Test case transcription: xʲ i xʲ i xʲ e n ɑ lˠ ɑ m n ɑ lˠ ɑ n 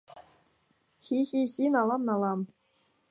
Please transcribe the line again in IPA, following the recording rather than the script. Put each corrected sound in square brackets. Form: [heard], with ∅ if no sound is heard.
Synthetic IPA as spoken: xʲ i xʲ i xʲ [i] n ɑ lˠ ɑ m n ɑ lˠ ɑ [m]